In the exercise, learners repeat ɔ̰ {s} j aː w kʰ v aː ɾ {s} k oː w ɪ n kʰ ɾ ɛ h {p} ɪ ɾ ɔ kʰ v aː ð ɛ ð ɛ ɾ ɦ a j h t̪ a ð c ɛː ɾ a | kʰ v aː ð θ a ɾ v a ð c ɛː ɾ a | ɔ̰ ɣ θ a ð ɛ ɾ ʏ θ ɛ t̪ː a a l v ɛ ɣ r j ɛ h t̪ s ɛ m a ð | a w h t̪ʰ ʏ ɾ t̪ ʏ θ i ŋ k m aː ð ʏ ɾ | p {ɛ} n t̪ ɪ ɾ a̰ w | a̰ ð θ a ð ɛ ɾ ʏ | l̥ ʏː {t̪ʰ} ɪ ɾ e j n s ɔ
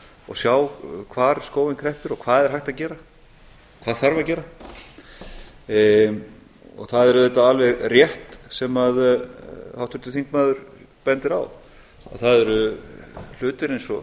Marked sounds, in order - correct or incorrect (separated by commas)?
correct, correct, correct, correct, incorrect